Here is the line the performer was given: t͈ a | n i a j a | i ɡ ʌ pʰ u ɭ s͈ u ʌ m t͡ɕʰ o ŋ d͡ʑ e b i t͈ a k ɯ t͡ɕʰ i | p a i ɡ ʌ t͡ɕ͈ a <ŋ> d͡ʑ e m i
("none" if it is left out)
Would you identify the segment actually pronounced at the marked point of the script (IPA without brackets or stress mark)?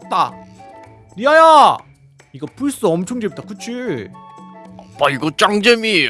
ŋ